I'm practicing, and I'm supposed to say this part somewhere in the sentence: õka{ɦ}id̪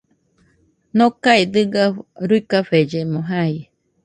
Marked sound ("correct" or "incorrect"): incorrect